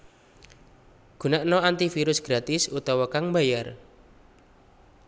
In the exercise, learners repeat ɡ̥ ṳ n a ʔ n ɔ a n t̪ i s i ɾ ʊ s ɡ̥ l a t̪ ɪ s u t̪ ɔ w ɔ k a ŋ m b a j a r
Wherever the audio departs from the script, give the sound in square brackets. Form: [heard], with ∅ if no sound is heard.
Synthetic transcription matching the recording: ɡ̥ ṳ n a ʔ n ɔ a n t̪ i [f] i ɾ ʊ s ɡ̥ [ɾ] a t̪ ɪ s u t̪ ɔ w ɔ k a ŋ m b a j a r